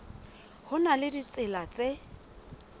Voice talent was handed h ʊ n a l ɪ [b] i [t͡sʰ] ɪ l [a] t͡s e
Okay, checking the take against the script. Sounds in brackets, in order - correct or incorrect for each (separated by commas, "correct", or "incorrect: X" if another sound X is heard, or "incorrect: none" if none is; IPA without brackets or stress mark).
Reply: incorrect: d, incorrect: t͡s, correct